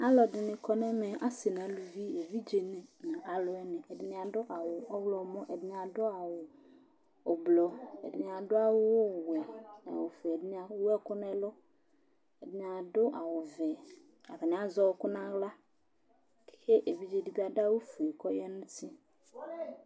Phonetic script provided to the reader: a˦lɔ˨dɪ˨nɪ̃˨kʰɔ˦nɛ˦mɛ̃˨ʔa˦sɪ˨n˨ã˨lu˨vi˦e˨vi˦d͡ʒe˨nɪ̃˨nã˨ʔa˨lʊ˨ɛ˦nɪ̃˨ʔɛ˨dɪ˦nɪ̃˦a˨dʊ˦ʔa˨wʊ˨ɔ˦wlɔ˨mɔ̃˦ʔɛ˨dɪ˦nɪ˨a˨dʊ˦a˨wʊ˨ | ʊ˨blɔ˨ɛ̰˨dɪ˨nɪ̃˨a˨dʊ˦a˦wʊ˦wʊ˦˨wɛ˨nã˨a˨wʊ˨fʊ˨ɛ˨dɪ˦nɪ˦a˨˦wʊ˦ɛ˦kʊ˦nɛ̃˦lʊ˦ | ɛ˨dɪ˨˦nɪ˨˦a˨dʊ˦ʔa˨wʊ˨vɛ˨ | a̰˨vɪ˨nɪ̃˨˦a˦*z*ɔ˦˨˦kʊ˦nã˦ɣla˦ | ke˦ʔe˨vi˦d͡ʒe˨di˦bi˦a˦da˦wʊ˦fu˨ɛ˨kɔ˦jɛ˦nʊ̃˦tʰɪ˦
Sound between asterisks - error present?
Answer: no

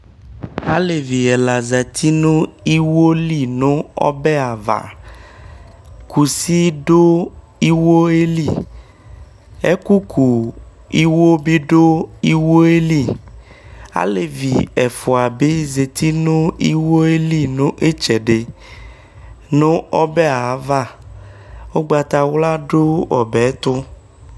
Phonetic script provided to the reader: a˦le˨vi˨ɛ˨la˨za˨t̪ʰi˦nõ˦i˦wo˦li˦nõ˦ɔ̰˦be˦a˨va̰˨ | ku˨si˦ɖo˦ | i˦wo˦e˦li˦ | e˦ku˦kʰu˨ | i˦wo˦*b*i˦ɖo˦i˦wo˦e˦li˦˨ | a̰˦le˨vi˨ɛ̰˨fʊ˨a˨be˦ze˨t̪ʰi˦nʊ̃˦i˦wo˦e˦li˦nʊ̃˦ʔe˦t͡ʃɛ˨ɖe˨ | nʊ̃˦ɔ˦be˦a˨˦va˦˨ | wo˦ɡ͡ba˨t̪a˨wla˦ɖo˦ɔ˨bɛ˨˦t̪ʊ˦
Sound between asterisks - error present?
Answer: no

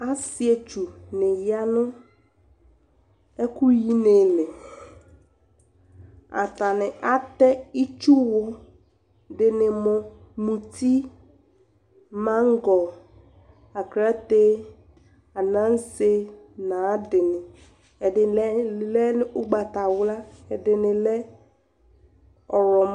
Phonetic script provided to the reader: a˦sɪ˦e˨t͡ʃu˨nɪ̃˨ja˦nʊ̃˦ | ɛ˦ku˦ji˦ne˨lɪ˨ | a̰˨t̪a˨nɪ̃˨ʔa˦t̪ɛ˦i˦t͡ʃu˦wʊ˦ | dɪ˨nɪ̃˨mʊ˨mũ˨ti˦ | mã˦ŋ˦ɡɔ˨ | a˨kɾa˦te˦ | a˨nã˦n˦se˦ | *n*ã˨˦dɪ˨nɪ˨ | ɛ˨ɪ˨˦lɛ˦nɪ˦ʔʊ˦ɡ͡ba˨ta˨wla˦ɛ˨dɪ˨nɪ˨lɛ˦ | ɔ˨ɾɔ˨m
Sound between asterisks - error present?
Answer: no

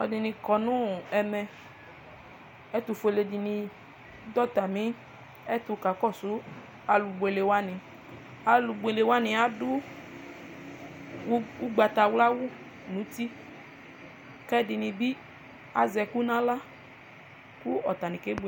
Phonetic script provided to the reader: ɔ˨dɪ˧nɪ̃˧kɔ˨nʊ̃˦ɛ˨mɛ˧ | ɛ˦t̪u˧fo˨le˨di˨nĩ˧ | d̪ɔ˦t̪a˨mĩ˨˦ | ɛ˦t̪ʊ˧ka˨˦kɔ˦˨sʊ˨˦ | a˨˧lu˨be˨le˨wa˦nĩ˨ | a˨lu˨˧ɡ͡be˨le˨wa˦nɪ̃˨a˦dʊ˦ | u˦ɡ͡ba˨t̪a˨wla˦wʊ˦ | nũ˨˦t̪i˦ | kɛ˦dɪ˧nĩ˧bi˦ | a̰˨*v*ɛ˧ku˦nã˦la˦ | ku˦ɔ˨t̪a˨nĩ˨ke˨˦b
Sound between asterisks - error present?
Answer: yes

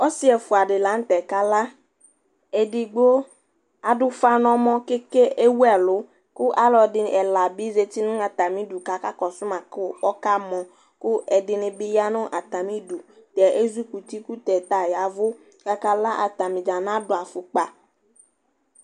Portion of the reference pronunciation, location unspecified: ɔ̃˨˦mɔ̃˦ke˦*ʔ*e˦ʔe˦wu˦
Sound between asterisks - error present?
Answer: yes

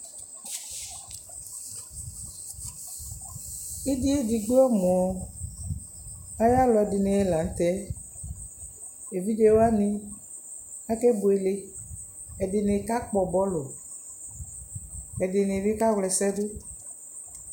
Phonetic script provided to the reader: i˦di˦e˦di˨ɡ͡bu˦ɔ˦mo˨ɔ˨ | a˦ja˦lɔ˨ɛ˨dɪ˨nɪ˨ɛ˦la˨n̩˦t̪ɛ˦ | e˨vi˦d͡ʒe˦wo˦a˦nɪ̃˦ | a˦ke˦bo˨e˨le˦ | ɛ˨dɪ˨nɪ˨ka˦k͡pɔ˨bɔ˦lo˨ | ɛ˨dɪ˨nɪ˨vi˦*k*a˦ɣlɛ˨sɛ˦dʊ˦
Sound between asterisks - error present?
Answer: no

